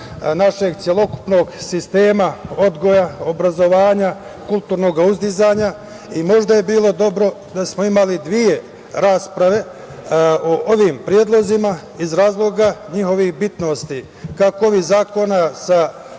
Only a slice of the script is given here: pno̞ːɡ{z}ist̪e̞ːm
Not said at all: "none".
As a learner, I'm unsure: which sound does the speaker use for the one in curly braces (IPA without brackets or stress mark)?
s